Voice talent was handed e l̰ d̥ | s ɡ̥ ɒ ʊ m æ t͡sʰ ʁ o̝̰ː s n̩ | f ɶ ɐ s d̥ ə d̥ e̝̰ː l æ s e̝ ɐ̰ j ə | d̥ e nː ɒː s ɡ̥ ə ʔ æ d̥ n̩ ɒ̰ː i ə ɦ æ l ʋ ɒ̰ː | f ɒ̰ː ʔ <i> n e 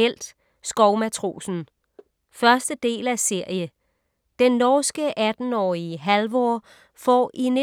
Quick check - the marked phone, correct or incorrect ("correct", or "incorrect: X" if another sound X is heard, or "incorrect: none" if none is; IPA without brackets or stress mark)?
correct